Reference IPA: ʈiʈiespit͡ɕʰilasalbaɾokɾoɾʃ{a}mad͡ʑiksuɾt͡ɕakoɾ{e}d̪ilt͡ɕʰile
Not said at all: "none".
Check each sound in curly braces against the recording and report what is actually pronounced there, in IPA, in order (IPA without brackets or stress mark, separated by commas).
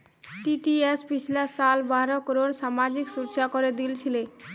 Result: a, e